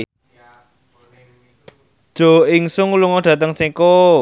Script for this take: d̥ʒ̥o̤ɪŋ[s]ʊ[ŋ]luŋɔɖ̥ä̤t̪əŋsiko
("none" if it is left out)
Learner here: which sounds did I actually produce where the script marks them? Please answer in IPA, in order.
s, ŋ

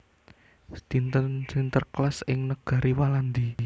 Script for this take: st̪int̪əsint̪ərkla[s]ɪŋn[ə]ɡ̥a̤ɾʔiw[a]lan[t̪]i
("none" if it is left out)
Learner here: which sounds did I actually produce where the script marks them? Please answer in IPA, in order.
s, ə, a, d̪

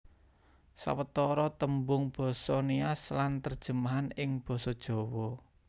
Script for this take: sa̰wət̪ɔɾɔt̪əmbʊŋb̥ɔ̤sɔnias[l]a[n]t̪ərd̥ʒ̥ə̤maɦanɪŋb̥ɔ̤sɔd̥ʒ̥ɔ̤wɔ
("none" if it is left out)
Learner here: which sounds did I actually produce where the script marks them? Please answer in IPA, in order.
l, n

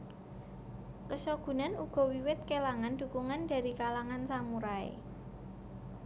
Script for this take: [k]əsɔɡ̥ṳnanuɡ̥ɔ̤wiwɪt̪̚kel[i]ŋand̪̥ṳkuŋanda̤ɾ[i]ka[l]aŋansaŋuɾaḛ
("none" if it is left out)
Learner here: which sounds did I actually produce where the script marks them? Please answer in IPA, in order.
k, a, i, l

